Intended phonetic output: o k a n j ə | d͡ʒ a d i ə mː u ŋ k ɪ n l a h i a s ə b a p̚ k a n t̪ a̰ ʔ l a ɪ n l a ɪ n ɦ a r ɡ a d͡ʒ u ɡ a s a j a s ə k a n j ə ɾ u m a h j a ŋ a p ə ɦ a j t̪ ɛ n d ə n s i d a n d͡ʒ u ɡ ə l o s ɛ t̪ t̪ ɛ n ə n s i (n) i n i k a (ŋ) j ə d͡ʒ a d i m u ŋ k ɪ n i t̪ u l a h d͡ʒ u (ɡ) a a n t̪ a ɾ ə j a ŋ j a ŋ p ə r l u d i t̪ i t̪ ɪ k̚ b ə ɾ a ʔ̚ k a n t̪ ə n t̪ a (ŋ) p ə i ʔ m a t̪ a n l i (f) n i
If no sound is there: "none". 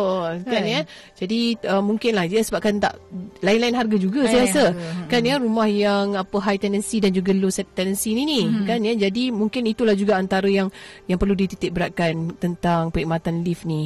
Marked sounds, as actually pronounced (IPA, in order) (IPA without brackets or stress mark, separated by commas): n, n, ɡ, ŋ, f